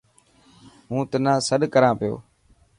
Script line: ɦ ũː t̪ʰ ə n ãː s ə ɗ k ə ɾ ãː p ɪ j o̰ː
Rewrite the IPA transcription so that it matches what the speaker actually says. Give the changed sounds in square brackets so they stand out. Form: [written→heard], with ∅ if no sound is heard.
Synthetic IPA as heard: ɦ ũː [t̪ʰ→t̪] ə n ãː s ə ɗ k ə ɾ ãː p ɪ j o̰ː